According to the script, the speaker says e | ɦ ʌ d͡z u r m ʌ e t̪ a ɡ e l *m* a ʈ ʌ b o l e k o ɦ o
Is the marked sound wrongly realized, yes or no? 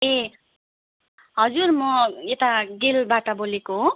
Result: yes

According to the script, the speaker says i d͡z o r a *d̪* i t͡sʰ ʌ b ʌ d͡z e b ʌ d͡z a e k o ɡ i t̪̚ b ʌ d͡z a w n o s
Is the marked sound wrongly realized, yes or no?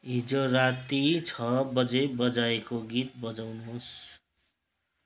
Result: yes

